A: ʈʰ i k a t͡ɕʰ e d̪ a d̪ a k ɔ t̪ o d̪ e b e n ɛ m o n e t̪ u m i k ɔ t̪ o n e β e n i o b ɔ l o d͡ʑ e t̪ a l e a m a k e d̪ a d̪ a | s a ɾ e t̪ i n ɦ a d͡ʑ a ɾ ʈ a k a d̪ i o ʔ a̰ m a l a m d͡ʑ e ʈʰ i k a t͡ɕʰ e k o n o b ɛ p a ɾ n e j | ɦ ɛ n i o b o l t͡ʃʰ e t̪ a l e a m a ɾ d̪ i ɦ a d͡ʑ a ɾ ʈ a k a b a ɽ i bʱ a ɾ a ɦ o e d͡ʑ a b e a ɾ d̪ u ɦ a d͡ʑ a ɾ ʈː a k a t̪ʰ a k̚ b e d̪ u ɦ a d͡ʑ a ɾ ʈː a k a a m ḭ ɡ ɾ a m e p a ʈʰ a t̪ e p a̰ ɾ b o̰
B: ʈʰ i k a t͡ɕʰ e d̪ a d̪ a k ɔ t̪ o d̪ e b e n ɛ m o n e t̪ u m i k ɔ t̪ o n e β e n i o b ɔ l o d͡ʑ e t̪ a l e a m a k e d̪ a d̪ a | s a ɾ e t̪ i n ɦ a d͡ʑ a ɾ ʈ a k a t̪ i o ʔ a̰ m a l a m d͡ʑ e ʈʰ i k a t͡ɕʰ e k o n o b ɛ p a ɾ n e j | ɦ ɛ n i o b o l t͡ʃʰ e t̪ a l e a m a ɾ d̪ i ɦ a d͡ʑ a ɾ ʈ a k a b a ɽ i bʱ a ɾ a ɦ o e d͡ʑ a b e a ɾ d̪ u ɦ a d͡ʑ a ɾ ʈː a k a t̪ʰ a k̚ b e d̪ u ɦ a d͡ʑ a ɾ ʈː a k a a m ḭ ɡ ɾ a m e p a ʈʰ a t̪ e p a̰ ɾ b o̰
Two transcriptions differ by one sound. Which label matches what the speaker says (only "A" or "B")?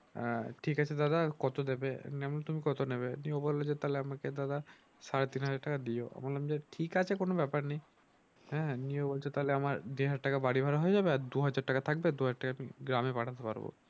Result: A